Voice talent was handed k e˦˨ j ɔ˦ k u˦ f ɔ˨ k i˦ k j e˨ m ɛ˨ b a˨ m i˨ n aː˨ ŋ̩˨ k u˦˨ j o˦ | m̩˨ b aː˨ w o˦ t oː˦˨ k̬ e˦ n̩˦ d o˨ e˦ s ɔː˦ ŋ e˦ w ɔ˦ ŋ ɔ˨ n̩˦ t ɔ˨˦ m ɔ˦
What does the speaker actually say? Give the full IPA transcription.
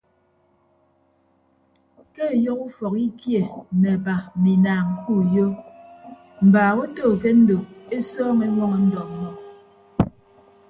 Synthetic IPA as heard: k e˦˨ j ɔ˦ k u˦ f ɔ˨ k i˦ k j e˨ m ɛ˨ b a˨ m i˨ n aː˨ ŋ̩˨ k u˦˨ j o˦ | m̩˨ b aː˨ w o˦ t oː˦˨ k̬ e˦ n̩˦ d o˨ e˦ s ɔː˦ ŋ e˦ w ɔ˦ ŋ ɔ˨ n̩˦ d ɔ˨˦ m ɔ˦